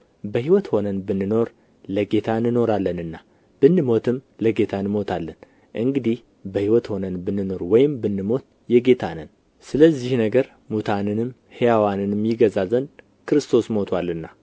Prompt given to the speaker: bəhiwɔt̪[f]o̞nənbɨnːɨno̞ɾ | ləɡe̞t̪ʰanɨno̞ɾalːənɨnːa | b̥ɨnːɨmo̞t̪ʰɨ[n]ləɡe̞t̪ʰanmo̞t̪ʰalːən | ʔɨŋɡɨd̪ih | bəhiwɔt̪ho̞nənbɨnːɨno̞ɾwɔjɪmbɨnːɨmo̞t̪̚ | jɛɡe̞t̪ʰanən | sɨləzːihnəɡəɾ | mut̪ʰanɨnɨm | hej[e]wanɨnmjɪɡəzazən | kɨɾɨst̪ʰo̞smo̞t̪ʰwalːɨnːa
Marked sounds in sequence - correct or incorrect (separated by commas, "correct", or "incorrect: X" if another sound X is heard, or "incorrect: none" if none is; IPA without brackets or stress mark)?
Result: incorrect: h, incorrect: m, incorrect: a